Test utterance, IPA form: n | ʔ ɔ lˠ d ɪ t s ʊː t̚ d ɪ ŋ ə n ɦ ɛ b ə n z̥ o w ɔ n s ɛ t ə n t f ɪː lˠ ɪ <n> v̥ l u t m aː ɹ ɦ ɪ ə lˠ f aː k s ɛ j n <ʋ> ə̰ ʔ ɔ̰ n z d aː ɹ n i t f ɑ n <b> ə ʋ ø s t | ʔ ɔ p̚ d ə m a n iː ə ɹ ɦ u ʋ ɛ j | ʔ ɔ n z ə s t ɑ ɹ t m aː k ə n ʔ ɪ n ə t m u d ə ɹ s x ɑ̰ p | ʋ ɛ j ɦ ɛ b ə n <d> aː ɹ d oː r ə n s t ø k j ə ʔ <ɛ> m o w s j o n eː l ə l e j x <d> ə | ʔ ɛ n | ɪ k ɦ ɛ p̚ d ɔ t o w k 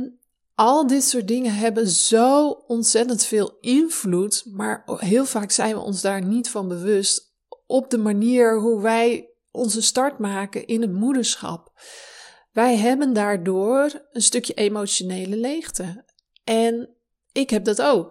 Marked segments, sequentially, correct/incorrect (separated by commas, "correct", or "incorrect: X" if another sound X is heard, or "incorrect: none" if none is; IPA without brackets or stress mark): correct, correct, correct, correct, incorrect: e, incorrect: t